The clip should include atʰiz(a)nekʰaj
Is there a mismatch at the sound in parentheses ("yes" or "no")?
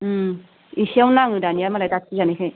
no